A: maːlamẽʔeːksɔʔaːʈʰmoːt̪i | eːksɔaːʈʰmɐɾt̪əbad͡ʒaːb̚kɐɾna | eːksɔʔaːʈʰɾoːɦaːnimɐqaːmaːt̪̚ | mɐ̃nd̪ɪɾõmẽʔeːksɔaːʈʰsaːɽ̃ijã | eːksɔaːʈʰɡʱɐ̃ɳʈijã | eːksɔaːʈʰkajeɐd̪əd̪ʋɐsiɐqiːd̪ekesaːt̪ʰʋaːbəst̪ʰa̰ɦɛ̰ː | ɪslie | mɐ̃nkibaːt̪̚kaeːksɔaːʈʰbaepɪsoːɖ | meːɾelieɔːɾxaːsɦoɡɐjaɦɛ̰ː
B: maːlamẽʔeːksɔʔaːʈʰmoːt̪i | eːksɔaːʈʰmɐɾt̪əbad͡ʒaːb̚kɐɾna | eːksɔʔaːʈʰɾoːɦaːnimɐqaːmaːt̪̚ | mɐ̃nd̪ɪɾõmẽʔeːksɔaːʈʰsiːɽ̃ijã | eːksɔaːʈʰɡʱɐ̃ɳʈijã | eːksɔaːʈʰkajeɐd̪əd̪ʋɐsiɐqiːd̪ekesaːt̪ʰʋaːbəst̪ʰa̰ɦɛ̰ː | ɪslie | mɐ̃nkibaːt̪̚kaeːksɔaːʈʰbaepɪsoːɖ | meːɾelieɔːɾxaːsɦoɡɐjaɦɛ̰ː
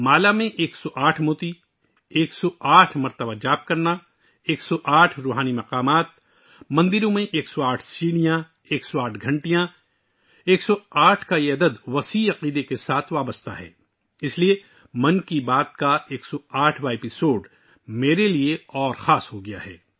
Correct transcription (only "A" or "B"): B